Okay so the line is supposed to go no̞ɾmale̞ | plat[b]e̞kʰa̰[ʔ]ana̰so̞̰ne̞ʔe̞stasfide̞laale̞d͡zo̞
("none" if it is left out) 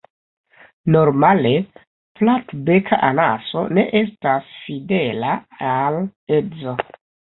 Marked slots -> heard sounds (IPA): b, ʔ

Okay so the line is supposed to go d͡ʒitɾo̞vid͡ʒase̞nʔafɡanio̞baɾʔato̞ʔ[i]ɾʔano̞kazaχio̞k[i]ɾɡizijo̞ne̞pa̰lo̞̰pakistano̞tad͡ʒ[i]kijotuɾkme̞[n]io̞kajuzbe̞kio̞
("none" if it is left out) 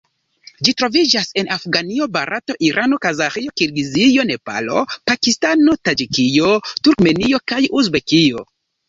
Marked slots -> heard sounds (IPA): i, i, i, n

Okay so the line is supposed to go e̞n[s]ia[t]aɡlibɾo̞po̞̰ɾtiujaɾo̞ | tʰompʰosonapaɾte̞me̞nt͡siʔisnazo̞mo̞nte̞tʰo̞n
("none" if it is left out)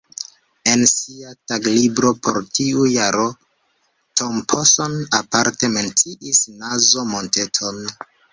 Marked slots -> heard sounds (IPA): s, t

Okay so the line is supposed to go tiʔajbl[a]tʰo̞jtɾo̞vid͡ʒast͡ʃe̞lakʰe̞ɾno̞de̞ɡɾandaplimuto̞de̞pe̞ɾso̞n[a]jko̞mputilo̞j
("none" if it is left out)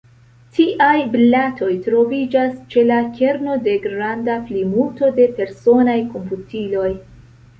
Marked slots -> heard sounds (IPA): a, a

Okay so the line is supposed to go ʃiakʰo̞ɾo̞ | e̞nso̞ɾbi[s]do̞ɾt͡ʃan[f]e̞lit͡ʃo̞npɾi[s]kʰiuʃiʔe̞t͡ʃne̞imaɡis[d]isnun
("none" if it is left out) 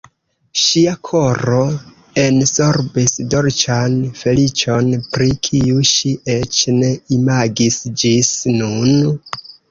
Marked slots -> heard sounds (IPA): s, f, none, d͡ʒ

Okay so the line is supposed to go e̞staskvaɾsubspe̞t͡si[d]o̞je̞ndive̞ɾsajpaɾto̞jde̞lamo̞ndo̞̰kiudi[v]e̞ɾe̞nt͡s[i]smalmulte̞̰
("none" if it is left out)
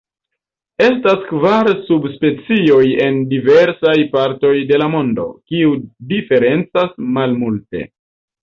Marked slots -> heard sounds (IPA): none, f, a

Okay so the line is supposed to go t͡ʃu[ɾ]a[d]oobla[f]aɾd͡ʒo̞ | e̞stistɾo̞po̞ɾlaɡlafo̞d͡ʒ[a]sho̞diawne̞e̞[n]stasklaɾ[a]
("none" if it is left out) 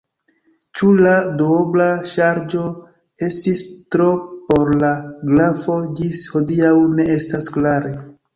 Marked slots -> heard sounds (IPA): l, d, ʃ, i, none, e

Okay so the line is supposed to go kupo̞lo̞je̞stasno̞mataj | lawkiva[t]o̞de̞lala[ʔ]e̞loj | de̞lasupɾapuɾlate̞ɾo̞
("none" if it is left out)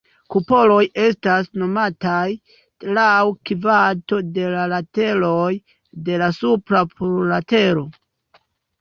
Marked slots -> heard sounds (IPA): t, t

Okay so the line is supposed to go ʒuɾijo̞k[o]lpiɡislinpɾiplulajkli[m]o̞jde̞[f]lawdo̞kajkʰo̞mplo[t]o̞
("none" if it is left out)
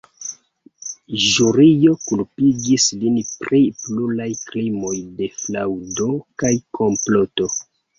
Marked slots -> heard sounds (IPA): u, m, f, t

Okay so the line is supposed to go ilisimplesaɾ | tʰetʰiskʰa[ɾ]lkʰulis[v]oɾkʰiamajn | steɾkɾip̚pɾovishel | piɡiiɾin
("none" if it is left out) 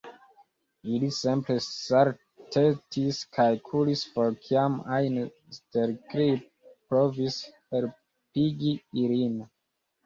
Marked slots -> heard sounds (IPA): none, f

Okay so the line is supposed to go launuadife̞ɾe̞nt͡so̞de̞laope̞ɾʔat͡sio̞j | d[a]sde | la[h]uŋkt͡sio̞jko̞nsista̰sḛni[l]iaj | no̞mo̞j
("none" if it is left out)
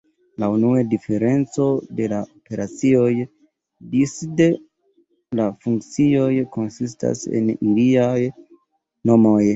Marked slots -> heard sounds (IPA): i, f, l

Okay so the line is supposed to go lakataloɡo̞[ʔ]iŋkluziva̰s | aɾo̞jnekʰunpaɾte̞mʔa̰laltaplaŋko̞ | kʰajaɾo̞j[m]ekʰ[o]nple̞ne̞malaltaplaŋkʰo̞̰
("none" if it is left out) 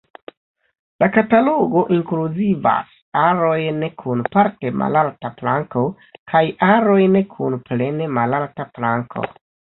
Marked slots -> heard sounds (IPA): ʔ, n, u

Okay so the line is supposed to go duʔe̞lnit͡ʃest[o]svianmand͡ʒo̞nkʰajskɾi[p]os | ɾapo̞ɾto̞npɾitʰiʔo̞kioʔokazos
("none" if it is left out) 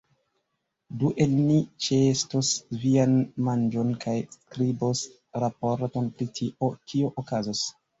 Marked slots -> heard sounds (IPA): o, b

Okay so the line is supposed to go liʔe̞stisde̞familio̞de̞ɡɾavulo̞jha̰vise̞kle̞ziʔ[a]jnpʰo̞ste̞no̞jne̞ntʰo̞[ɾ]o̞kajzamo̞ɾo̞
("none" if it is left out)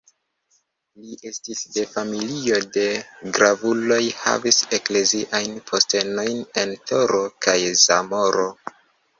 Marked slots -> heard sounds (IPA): a, ɾ

